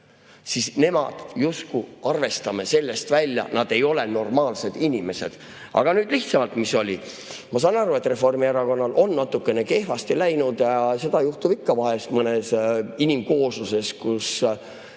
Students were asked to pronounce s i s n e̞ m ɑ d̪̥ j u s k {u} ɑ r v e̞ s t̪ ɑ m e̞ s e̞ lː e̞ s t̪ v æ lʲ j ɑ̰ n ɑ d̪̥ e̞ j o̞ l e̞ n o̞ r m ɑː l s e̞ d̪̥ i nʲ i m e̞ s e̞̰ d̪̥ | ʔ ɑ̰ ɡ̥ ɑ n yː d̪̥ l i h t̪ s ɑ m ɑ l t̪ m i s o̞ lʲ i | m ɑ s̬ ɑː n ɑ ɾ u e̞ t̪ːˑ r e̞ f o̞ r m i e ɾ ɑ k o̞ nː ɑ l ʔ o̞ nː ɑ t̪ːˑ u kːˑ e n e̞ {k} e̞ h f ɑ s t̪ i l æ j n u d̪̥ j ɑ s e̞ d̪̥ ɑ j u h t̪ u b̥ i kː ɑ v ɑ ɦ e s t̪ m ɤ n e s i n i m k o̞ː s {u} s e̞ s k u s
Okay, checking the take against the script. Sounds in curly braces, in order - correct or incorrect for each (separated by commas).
correct, correct, correct